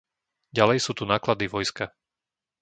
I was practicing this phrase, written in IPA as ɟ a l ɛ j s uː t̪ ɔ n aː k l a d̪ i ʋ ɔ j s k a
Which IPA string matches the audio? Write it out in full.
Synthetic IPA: ɟ a l ɛ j s uː t̪ u n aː k l a d̪ i ʋ ɔ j s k a

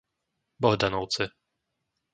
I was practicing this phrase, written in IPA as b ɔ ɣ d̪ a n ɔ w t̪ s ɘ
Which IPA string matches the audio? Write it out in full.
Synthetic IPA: b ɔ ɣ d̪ a n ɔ w t̪ s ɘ

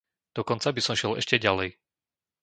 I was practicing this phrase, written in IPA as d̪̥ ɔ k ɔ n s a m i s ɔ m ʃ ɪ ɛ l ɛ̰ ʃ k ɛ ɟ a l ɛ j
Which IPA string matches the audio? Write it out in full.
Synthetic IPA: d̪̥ ɔ k ɔ n t͡s a b i s ɔ m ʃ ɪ ɛ l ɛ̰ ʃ c ɛ ɟ a l ɛ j

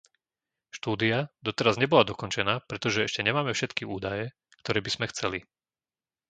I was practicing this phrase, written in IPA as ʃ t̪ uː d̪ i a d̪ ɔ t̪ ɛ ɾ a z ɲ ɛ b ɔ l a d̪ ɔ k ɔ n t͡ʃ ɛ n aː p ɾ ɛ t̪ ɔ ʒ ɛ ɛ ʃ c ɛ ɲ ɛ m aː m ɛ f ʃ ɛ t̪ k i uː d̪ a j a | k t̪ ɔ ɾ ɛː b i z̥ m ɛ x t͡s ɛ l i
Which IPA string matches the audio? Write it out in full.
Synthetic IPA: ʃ t̪ uː d̪ i a d̪ ɔ t̪ ɛ ɾ a z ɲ ɛ b ɔ l a d̪ ɔ k ɔ n t͡ʃ ɛ n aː p ɾ ɛ t̪ ɔ ʒ ɛ ɛ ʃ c ɛ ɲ ɛ m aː m ɛ f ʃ ɛ t̪ k i uː d̪ a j ɛ | k t̪ ɔ ɾ ɛː b i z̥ m ɛ x t͡s ɛ l i

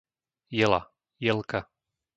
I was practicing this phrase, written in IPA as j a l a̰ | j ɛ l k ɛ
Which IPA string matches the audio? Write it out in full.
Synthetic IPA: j ɛ l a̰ | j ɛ l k a

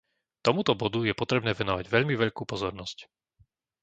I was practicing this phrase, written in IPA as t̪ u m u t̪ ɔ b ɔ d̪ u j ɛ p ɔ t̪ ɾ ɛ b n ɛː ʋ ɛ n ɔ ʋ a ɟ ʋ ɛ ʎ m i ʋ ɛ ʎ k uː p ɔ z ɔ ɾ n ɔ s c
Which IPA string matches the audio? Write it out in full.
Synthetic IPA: t̪ ɔ m u t̪ ɔ b ɔ d̪ u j ɛ p ɔ t̪ ɾ ɛ b n ɛː ʋ ɛ n ɔ ʋ a ɟ ʋ ɛ ʎ m i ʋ ɛ ʎ k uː p ɔ z ɔ ɾ n ɔ s c

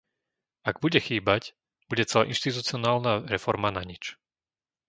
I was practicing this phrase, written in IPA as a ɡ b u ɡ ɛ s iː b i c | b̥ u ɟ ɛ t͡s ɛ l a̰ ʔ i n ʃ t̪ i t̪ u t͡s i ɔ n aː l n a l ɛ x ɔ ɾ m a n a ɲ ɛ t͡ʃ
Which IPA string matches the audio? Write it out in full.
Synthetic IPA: a ɡ b u ɟ ɛ x iː b a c | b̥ u ɟ ɛ t͡s ɛ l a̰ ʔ i n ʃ t̪ i t̪ u t͡s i ɔ n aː l n a ɾ ɛ f ɔ ɾ m a n a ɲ i t͡ʃ

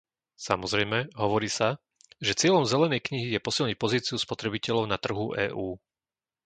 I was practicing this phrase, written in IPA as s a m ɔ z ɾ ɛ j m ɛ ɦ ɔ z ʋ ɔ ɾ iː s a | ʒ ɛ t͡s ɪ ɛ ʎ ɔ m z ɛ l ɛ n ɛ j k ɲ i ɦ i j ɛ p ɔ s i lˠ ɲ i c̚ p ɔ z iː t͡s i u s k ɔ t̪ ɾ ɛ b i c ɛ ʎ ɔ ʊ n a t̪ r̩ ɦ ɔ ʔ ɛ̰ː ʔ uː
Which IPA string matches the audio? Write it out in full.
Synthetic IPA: s a m ɔ z ɾ ɛ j m ɛ ɦ ɔ ʋ ɔ ɾ iː s a | ʒ ɛ t͡s ɪ ɛ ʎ ɔ m z ɛ l ɛ n ɛ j k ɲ i ɦ i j ɛ p ɔ s i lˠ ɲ i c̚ p ɔ z iː t͡s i u s p ɔ t̪ ɾ ɛ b i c ɛ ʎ ɔ ʊ n a t̪ r̩ ɦ u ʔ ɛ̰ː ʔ uː

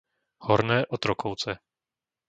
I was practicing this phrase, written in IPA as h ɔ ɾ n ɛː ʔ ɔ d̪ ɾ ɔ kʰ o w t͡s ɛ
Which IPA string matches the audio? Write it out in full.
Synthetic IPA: h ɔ ɾ n ɛː ʔ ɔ t̪ ɾ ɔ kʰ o w t͡s ɛ

